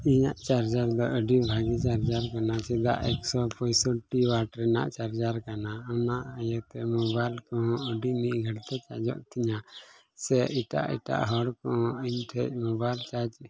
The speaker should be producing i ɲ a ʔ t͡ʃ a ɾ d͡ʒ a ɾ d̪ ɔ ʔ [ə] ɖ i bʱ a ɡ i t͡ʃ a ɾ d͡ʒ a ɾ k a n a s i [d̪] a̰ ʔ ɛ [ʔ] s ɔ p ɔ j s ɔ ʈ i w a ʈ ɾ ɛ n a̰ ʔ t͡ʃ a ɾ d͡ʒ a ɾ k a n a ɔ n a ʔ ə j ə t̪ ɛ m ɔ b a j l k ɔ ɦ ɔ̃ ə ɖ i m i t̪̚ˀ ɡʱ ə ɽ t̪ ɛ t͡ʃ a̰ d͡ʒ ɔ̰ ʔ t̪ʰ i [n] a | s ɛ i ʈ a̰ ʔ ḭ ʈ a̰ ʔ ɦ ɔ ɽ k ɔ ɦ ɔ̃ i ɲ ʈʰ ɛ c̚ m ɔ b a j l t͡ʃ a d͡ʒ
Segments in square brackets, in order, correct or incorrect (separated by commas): correct, correct, incorrect, incorrect